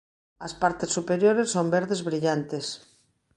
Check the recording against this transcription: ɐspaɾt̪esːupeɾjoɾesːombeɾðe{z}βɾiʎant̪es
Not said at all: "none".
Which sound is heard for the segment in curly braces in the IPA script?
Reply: z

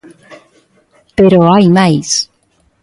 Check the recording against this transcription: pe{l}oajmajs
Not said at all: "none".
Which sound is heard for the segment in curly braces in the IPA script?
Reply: ɾ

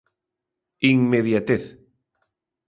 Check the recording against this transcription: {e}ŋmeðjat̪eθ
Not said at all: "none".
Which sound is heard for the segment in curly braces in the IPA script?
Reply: i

